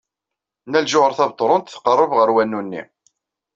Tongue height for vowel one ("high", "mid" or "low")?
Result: low